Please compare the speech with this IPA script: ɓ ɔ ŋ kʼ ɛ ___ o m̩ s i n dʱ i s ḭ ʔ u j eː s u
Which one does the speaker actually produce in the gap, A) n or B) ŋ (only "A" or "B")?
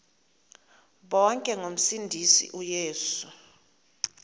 B